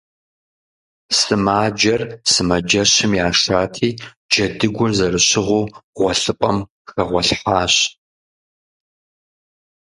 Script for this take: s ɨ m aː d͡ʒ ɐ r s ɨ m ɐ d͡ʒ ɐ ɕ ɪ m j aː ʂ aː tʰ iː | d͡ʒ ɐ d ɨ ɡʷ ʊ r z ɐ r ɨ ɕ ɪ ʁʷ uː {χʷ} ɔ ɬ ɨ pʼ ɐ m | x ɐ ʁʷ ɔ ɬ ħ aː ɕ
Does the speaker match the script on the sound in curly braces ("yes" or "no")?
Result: no